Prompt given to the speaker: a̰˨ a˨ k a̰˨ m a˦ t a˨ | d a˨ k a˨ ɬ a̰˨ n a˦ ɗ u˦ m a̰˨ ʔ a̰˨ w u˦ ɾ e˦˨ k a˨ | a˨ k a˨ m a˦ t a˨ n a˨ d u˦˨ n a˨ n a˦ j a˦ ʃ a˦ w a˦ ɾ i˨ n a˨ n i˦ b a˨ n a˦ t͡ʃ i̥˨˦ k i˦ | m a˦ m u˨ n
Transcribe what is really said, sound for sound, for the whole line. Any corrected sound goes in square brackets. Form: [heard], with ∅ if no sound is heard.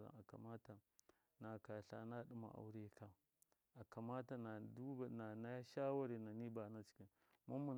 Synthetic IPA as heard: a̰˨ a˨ k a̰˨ m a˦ t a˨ | [n] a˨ k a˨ ɬ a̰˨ n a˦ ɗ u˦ m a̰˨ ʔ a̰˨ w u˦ ɾ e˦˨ k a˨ | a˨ k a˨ m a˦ t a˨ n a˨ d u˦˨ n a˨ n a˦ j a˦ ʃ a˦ w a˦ ɾ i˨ n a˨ n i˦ b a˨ n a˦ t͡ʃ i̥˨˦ k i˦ | m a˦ m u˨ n